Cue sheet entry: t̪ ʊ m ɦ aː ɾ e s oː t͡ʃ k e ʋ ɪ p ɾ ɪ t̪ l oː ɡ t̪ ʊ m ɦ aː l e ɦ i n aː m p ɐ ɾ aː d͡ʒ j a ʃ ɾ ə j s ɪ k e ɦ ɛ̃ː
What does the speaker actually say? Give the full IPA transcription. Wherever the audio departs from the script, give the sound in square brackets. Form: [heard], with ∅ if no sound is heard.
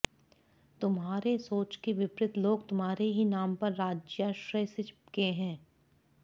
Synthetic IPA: t̪ ʊ m ɦ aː ɾ e s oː t͡ʃ k e ʋ ɪ p ɾ ɪ t̪ l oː ɡ t̪ ʊ m ɦ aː [ɾ] e ɦ i n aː m p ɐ [ɾː] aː d͡ʒ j a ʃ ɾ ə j s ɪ k e ɦ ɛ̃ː